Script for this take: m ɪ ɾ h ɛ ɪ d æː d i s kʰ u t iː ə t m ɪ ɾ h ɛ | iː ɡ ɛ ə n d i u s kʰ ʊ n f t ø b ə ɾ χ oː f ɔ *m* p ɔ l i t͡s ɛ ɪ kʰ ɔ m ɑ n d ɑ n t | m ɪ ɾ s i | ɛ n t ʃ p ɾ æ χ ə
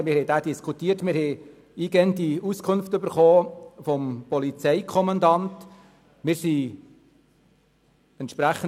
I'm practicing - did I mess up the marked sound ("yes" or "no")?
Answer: no